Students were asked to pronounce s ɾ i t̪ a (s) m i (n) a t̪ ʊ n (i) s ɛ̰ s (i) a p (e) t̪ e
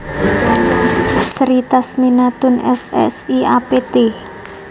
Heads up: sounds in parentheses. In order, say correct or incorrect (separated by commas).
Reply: correct, correct, incorrect, correct, correct